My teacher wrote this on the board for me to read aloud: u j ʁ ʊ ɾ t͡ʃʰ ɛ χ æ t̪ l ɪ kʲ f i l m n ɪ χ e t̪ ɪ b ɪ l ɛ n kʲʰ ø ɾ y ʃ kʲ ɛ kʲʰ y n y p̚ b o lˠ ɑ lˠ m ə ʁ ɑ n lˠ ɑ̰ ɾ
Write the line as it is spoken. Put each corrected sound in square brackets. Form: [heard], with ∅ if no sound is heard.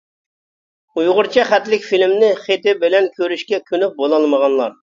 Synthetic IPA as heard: u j ʁ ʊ ɾ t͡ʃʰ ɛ χ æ t̪ l ɪ kʲ f i l m n ɪ χ e t̪ ɪ b ɪ l ɛ n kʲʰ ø ɾ y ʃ kʲ ɛ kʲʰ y n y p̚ b o lˠ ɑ lˠ m ə ʁ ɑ n lˠ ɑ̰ ɾ